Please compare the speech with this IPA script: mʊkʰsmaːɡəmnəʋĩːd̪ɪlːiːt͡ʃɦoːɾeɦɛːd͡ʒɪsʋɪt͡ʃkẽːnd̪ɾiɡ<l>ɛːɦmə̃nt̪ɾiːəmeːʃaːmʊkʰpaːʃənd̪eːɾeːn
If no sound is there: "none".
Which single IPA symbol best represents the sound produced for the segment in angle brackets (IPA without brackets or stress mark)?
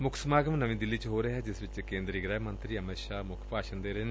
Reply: ɾ